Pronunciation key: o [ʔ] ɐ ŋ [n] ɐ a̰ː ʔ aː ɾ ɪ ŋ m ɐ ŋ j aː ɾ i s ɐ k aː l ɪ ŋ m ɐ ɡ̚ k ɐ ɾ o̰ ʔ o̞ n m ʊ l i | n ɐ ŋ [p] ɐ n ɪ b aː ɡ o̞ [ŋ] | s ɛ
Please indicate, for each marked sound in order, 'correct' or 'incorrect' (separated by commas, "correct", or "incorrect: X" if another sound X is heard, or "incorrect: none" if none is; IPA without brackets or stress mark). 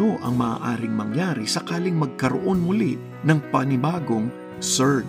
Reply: correct, incorrect: m, correct, correct